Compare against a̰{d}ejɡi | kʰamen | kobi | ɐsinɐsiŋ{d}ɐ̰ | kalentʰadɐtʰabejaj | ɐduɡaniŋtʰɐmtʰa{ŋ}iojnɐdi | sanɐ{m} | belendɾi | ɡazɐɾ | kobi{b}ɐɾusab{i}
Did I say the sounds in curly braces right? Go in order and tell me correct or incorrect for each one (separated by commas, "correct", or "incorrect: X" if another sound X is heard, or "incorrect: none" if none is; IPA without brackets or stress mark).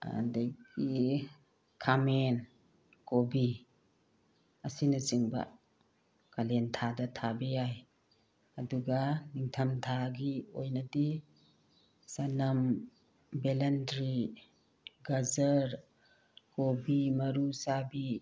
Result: correct, incorrect: b, incorrect: ɡ, correct, incorrect: m, correct